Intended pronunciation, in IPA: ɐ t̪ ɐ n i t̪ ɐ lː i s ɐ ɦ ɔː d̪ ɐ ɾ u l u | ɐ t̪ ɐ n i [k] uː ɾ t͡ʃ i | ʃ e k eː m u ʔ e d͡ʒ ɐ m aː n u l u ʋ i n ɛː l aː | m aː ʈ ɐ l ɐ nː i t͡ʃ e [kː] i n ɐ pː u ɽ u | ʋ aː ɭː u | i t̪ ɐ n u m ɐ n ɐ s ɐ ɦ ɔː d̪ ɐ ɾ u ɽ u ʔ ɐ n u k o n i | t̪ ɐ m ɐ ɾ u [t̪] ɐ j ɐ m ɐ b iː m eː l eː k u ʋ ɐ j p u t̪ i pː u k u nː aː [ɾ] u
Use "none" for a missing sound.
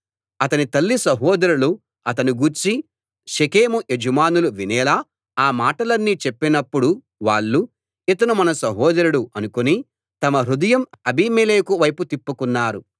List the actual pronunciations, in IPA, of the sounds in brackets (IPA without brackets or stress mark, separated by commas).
ɡ, pː, d̪, ɾ